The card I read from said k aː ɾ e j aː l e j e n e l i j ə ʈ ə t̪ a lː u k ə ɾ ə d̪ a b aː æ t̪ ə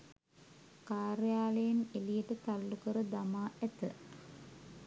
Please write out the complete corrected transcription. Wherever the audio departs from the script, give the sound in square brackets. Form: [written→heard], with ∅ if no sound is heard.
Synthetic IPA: k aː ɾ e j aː l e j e n e l i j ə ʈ ə t̪ a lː u k ə ɾ ə d̪ a [b→m] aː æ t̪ ə